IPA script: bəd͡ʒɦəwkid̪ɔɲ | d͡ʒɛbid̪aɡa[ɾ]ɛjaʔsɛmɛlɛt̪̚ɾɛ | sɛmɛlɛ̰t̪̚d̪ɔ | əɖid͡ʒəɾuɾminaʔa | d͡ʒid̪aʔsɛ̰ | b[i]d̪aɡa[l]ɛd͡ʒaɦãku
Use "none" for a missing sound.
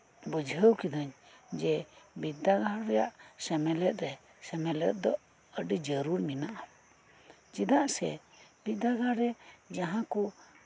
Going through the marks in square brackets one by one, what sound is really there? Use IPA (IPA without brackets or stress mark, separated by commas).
ɾ, i, ɾ